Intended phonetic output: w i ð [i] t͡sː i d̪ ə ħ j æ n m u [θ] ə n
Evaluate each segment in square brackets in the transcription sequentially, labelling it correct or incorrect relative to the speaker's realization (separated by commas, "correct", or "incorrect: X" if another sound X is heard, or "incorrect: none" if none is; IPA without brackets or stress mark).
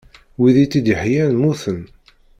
correct, correct